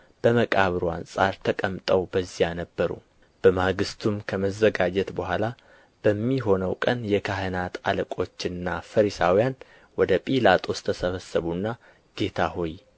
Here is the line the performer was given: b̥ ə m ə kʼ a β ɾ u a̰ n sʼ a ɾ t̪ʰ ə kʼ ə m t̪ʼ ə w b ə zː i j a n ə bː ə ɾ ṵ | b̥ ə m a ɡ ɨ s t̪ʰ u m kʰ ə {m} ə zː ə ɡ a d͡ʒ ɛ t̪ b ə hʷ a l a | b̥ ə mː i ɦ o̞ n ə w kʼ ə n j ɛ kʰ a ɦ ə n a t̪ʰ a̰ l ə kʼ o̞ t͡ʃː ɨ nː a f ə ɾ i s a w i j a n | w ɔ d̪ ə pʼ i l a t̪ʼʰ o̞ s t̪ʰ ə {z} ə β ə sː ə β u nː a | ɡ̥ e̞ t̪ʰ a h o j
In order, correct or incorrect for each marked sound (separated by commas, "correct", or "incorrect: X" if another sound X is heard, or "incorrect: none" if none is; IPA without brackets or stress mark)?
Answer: correct, incorrect: s